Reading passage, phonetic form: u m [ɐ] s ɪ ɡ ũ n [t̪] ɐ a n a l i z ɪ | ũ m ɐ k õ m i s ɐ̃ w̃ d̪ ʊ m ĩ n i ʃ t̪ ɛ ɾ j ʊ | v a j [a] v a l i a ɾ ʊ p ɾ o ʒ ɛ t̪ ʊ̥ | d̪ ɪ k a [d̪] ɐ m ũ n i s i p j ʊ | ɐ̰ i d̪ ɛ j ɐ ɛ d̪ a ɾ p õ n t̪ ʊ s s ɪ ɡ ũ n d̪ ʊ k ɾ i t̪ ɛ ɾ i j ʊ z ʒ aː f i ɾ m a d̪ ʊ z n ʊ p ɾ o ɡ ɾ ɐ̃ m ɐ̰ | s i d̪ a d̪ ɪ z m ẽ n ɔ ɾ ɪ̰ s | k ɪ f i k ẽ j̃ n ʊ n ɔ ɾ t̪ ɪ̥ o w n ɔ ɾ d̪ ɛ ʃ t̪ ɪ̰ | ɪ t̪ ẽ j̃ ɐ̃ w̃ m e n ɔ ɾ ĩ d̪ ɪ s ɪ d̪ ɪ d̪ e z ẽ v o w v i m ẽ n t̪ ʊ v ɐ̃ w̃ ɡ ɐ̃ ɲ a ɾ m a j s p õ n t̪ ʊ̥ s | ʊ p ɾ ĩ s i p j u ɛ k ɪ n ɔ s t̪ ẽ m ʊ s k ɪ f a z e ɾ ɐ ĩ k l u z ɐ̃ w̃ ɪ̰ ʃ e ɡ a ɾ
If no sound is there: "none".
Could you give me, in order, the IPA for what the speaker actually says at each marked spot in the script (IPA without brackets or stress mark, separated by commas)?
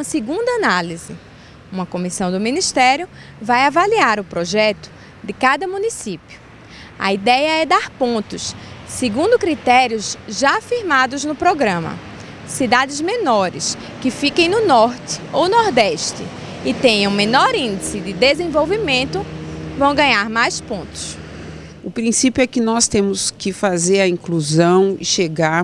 ɐ, d̪, a, d̪